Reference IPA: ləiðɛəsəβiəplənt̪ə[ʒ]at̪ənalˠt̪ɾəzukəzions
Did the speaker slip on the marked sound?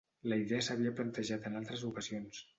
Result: no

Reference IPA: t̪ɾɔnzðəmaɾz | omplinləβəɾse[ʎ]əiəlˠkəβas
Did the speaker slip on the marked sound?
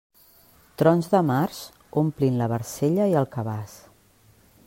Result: no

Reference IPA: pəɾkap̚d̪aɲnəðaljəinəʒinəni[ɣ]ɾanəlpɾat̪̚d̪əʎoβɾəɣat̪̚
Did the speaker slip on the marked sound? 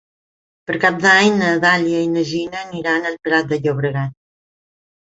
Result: yes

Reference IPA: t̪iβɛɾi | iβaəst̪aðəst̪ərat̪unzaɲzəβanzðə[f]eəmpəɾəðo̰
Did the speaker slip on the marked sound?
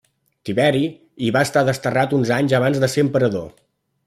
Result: yes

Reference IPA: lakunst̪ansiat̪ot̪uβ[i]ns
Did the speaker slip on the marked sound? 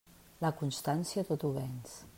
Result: yes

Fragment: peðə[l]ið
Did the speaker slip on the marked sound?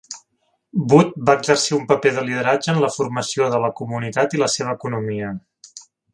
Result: no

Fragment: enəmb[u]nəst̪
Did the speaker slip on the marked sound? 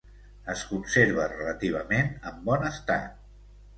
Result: yes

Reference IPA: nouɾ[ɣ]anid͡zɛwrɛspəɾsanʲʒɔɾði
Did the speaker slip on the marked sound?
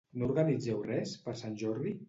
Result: no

